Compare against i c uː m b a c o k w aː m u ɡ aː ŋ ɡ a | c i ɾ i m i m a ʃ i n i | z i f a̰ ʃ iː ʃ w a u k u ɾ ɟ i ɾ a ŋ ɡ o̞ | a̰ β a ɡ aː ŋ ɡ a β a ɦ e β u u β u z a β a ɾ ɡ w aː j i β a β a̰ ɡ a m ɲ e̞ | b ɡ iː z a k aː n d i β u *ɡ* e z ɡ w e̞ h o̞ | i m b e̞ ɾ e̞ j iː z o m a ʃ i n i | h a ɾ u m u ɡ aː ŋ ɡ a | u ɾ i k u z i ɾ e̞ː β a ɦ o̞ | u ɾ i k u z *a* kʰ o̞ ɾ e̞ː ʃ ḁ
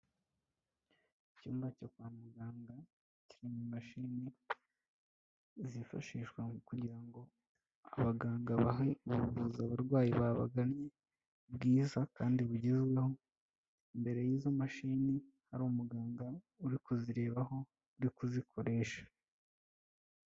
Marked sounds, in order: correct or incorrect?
incorrect, incorrect

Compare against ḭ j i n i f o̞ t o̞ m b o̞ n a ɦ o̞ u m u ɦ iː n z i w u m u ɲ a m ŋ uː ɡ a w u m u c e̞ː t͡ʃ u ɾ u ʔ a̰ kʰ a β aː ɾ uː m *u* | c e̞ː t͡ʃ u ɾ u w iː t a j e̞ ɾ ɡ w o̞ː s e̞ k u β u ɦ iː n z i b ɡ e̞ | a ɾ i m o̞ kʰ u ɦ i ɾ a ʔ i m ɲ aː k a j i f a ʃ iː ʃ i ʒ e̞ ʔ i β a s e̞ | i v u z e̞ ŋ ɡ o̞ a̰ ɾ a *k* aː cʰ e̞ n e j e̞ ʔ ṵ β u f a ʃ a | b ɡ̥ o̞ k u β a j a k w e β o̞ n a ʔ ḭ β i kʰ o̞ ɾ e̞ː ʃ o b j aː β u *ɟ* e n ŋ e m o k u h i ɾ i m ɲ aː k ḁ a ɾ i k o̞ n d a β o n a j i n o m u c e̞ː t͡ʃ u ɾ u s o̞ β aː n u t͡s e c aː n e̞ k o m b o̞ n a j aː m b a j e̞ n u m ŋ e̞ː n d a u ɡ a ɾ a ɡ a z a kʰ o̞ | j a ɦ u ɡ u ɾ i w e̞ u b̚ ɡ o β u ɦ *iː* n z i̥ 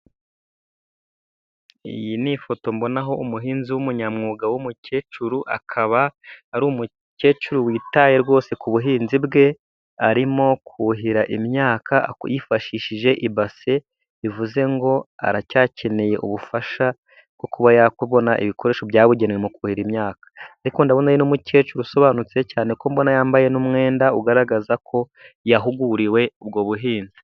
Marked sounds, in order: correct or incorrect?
correct, incorrect, correct, correct

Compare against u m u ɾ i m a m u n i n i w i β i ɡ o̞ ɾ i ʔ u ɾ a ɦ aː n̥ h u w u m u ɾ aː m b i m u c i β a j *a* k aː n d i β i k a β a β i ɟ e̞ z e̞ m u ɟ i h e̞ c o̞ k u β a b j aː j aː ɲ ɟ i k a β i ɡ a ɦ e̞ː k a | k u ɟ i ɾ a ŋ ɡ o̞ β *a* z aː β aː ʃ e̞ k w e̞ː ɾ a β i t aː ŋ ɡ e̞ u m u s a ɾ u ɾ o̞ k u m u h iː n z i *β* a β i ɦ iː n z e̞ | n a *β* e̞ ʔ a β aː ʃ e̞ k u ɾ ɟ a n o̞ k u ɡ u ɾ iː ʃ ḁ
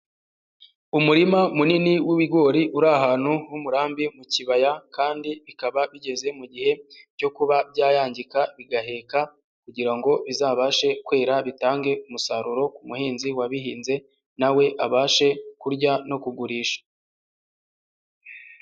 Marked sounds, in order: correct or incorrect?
correct, incorrect, incorrect, incorrect

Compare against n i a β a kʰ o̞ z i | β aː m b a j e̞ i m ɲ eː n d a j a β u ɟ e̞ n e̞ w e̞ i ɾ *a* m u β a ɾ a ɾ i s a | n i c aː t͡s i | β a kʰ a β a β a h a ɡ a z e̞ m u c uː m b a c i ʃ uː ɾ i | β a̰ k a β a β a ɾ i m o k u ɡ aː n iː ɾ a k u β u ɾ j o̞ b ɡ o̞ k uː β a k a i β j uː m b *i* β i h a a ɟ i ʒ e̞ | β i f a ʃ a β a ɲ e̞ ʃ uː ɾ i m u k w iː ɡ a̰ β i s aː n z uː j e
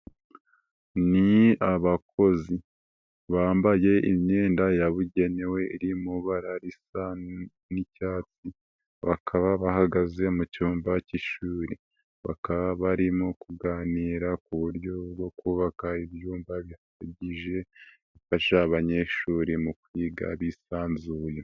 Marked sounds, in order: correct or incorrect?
incorrect, incorrect

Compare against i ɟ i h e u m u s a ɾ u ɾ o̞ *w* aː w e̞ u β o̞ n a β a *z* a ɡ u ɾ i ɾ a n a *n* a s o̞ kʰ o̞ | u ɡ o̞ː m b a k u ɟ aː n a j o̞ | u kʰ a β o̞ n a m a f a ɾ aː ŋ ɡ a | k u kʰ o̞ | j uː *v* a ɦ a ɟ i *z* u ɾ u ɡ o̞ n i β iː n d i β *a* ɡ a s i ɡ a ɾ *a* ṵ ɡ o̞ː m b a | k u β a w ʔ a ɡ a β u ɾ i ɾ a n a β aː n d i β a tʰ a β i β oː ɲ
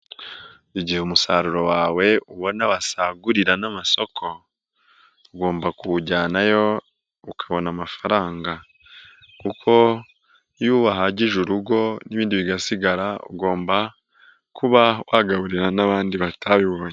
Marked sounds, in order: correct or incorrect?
correct, incorrect, incorrect, incorrect, incorrect, incorrect, correct

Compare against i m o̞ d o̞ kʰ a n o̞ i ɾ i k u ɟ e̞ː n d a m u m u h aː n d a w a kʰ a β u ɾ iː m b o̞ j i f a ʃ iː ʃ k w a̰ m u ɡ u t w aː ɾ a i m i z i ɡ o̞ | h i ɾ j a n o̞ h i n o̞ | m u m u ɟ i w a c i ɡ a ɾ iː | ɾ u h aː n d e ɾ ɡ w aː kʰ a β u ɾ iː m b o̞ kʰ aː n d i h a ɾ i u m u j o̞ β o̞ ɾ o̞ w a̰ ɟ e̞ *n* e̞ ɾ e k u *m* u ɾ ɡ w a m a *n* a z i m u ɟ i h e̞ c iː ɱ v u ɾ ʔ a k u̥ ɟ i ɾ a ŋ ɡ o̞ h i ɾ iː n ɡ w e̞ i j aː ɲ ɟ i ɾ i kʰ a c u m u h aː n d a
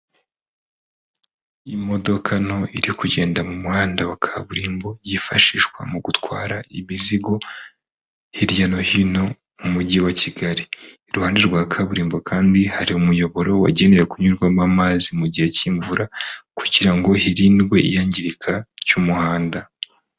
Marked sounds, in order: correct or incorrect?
correct, incorrect, incorrect

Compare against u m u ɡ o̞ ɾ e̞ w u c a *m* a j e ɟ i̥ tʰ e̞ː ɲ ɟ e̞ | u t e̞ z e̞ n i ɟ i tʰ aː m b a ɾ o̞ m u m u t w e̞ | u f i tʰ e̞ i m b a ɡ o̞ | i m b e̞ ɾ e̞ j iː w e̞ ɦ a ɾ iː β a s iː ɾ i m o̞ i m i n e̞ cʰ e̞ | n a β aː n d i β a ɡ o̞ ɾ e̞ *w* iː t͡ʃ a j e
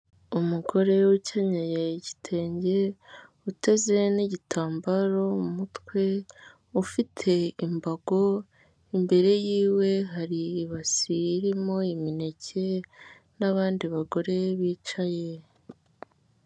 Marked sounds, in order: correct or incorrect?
incorrect, incorrect

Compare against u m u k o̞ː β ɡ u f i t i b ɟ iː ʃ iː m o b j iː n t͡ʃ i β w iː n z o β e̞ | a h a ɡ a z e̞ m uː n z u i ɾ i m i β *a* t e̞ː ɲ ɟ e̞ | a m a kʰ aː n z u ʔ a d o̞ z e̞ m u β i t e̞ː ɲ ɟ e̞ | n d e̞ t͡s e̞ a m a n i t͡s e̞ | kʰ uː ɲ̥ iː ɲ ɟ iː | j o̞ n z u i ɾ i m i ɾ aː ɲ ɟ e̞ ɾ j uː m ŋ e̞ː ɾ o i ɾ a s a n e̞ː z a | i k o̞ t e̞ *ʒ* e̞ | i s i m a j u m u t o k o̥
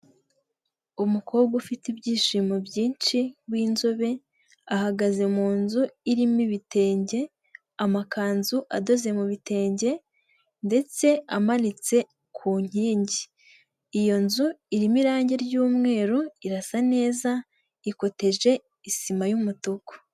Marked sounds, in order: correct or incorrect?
incorrect, correct

